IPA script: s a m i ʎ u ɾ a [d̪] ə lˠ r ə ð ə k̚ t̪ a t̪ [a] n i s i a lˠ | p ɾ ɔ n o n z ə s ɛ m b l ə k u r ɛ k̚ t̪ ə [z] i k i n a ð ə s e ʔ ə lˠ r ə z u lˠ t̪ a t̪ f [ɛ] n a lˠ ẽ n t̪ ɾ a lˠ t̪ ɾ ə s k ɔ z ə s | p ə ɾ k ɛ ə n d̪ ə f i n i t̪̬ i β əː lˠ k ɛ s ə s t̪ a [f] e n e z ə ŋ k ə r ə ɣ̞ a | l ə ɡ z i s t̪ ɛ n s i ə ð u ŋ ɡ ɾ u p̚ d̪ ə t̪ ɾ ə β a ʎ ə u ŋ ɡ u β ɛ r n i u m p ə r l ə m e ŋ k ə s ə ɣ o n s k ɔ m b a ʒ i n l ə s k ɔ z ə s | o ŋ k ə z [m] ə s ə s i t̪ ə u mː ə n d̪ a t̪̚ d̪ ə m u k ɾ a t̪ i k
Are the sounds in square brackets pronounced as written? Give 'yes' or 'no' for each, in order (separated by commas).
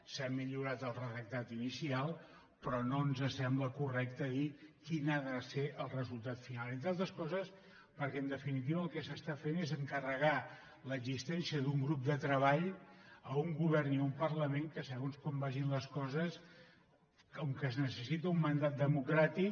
no, no, no, no, yes, no